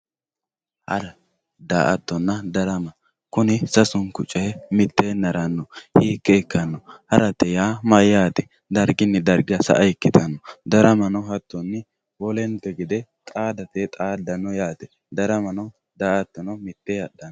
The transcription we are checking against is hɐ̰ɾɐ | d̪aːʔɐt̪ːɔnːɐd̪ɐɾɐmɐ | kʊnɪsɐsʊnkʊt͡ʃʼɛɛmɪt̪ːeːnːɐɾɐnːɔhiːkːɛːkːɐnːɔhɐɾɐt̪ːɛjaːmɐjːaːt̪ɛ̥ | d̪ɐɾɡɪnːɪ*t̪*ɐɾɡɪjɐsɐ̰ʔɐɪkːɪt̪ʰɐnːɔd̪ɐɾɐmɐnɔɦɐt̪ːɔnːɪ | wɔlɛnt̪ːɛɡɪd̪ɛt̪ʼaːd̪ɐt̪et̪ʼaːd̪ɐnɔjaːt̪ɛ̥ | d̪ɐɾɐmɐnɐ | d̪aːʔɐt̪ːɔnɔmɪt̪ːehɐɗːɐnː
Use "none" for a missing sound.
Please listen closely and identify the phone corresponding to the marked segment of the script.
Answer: d̪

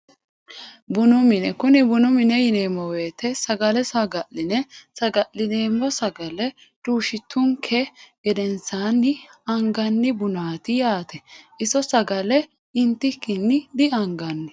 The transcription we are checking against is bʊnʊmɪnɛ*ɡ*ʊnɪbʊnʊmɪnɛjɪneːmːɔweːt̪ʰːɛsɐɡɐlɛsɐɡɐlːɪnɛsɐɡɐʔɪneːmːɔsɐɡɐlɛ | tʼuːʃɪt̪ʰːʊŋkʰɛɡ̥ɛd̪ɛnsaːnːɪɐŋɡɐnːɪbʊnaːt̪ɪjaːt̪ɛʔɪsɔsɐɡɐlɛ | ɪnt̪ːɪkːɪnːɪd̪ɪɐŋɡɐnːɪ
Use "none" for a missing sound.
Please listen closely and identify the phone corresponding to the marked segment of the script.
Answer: k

